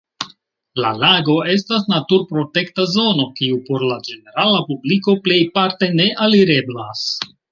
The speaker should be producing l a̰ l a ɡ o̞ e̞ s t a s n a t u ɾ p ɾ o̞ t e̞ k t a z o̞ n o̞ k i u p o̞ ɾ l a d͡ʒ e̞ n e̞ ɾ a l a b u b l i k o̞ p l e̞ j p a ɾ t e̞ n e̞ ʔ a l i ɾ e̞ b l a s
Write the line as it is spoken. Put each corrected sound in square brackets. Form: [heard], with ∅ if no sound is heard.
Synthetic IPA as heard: l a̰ l a ɡ o̞ e̞ s t a s n a t u ɾ p ɾ o̞ t e̞ k t a z o̞ n o̞ k i u p o̞ ɾ l a d͡ʒ e̞ n e̞ ɾ a l a [p] u b l i k o̞ p l e̞ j p a ɾ t e̞ n e̞ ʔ a l i ɾ e̞ b l a s